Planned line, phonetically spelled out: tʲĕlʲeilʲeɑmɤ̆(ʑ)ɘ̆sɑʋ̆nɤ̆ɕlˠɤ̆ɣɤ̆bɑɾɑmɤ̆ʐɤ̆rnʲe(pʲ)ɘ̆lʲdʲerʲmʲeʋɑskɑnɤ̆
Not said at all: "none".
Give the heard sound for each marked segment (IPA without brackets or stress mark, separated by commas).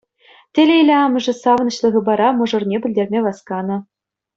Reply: ʐ, bʲ